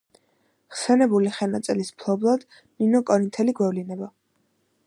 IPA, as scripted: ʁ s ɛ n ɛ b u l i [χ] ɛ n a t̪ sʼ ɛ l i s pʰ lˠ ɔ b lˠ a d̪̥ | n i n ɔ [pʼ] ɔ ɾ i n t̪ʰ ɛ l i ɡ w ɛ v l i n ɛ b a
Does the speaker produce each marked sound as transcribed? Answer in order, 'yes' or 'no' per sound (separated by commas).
yes, no